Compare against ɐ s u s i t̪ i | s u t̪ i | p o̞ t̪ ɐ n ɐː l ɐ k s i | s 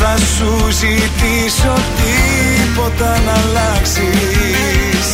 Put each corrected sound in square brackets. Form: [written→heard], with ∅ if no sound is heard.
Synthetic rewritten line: ɐ s u [s→z] i t̪ i | s [u→o] t̪ i | p o̞ t̪ ɐ n [ɐː→ɐ] l ɐ k s i | s